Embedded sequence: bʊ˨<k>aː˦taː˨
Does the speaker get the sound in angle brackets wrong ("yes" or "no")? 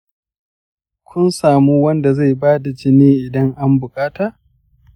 yes